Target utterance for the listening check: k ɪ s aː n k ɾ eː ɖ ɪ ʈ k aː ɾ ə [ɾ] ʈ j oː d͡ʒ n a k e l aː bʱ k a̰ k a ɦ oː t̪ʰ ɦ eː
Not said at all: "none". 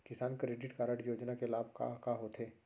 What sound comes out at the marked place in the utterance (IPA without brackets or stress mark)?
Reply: none